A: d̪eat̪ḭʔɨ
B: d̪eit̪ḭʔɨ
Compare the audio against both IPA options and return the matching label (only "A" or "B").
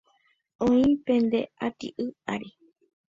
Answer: A